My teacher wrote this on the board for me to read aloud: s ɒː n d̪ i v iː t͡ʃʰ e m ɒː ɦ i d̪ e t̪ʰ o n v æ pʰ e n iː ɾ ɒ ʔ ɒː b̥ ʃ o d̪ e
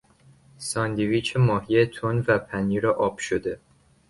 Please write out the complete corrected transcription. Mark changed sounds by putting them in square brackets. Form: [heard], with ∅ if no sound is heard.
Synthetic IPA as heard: s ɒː n d̪ i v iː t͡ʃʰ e m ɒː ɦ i [∅] e t̪ʰ o n v æ pʰ [æ] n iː ɾ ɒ ʔ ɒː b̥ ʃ o d̪ e